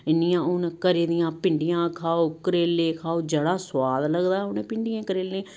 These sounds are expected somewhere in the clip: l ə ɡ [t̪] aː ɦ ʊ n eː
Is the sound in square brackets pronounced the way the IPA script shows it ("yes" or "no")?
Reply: no